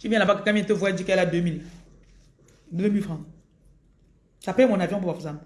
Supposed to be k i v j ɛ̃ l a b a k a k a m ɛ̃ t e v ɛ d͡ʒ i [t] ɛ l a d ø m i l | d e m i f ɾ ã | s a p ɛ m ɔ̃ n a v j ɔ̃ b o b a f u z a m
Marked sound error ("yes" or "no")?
yes